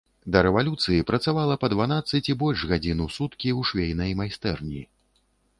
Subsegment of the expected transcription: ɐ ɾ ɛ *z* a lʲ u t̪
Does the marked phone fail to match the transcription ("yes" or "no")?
yes